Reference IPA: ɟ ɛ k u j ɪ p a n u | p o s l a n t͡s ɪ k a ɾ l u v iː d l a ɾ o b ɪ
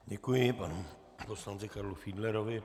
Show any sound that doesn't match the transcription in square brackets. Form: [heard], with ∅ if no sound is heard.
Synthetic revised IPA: ɟ ɛ k u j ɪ p a n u | p o s l a n t͡s ɪ k a ɾ l u [f] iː d l [ɛ] ɾ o [v] ɪ

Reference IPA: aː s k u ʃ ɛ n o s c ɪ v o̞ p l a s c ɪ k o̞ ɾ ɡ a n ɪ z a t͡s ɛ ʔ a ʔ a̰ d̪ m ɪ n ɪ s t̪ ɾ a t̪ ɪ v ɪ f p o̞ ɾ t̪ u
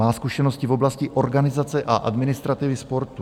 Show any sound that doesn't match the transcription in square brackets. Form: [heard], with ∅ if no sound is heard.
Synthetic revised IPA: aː s k u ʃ ɛ n o s c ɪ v o̞ [b] l a s c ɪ [ʔ] o̞ ɾ ɡ a n ɪ z a t͡s ɛ ʔ a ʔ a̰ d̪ m ɪ n ɪ s t̪ ɾ a t̪ ɪ v ɪ [s] p o̞ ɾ t̪ u

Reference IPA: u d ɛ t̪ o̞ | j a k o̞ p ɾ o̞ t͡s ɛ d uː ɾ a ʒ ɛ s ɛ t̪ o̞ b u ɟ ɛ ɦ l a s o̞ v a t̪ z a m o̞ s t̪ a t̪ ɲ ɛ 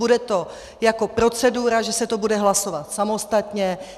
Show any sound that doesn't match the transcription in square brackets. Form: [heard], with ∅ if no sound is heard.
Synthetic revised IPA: u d ɛ t̪ o̞ | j a k o̞ p ɾ o̞ t͡s ɛ d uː ɾ a ʒ ɛ s ɛ t̪ o̞ b u [d] ɛ ɦ l a s o̞ v a t̪ [s] a m o̞ s t̪ a t̪ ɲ ɛ

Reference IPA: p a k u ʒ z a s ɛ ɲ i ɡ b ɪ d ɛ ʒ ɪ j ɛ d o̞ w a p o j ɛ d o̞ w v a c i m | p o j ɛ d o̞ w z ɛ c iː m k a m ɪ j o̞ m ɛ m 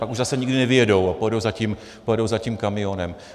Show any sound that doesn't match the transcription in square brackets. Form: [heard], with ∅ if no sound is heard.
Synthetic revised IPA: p a k u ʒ z a s ɛ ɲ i ɡ [d] ɪ [n] ɛ [v] ɪ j ɛ d o̞ w a p o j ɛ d o̞ w [z] a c i m | p o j ɛ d o̞ w z [a] c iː m k a m ɪ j o̞ [n] ɛ m

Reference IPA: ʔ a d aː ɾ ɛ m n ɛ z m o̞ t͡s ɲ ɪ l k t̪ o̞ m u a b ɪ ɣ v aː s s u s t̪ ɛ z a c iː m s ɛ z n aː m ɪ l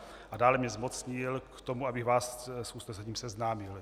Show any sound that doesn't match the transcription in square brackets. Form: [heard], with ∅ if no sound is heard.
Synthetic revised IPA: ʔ a d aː [l] ɛ m [ɲ] ɛ z m o̞ t͡s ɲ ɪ l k t̪ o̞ m u a b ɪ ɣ v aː s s u s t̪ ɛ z a c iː m s ɛ z n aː m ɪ l

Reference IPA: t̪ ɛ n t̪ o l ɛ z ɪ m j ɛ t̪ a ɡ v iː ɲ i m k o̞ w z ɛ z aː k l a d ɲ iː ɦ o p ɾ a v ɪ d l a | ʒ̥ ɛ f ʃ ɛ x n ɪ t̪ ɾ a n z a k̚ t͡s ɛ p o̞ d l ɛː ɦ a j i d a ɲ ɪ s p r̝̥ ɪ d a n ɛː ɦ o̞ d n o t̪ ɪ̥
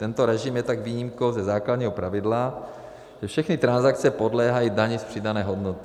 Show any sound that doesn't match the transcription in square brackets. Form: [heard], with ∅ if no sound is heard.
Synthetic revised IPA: t̪ ɛ n t̪ o [ɾ] ɛ [ʒ] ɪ m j ɛ t̪ a ɡ v iː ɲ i m k o̞ w z ɛ z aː k l a d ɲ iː ɦ o p ɾ a v ɪ d l a | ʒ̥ ɛ f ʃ ɛ x n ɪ t̪ ɾ a n z a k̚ t͡s ɛ p o̞ d l ɛː ɦ a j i d a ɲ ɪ s p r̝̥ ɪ d a n ɛː ɦ o̞ d n o t̪ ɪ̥

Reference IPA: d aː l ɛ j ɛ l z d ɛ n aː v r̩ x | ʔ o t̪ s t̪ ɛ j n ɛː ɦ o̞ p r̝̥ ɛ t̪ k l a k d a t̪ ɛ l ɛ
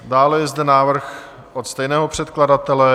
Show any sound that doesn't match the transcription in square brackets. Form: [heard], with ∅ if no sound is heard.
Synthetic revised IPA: d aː l ɛ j ɛ [∅] z d ɛ n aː v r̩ x | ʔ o t̪ s t̪ ɛ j n ɛː ɦ o̞ p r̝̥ ɛ t̪ k l a [∅] d a t̪ ɛ l ɛ

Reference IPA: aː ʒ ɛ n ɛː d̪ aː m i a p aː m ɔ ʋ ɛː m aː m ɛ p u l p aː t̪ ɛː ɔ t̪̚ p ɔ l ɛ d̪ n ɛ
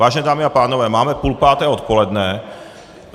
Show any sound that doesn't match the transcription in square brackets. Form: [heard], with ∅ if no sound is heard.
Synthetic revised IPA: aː ʒ ɛ n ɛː d̪ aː m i a p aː [n] ɔ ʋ ɛː m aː m ɛ p u l p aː t̪ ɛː ɔ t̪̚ p ɔ l ɛ d̪ n ɛ

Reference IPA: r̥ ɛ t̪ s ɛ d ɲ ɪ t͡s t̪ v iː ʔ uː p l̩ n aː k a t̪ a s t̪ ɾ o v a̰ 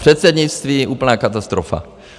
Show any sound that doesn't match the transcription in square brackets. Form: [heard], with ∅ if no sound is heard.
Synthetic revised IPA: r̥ ɛ t̪ s ɛ d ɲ ɪ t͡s t̪ v iː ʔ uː p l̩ n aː k a t̪ a s t̪ ɾ o [f] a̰

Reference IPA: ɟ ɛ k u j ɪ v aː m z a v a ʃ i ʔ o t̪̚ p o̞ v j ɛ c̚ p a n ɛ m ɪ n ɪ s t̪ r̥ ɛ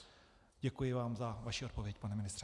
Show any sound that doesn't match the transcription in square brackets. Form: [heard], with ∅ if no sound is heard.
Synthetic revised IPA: ɟ ɛ k u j ɪ v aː m z a v a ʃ i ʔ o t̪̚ p o̞ v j ɛ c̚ p a n ɛ m ɪ n ɪ s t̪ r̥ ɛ

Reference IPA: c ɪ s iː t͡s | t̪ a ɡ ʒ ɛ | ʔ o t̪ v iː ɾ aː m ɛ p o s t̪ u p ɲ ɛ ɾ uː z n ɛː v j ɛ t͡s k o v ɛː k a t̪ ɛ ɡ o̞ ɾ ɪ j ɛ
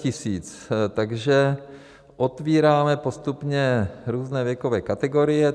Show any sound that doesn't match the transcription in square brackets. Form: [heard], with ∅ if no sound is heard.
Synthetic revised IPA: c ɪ s iː t͡s | t̪ a ɡ ʒ ɛ | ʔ o t̪ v iː ɾ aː m ɛ p o s t̪ u p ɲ ɛ ɾ uː z n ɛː v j ɛ [∅] k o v ɛː k a t̪ ɛ ɡ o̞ ɾ ɪ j ɛ

